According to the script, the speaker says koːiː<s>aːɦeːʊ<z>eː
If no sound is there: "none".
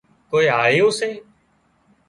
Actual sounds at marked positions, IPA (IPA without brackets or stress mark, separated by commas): none, s